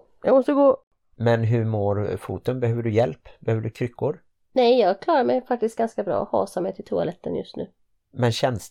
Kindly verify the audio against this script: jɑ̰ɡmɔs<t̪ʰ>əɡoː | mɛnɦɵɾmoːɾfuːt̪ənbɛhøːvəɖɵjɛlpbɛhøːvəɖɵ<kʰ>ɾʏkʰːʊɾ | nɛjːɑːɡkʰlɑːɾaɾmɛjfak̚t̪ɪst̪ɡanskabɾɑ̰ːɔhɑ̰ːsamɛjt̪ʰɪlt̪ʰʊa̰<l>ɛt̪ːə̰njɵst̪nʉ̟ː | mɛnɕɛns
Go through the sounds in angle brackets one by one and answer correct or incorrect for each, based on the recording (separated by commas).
incorrect, correct, correct